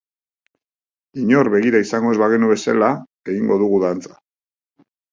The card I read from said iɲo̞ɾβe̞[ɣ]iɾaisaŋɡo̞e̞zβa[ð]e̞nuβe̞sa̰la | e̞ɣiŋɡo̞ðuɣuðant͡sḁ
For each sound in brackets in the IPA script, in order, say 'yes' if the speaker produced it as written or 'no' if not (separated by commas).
yes, no